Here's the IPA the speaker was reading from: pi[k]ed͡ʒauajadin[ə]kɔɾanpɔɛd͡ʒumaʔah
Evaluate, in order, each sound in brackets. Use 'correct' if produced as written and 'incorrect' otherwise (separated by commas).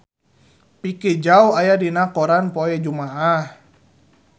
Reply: correct, incorrect